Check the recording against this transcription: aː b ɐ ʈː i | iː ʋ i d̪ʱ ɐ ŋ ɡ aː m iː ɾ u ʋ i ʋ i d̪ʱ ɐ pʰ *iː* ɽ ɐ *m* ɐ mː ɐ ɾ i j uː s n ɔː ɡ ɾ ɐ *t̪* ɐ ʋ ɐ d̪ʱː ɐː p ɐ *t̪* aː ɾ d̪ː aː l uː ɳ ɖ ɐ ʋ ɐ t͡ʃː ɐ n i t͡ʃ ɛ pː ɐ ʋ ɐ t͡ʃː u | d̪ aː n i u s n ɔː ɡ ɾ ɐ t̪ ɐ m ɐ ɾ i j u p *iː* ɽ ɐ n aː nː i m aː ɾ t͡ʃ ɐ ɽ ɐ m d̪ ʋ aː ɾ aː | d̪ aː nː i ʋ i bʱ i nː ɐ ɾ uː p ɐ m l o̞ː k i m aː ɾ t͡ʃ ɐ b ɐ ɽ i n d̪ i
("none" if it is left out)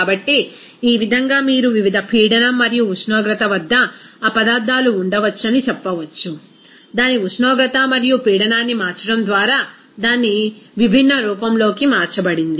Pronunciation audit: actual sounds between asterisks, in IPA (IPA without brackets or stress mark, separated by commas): iː, n, t̪, d̪, iː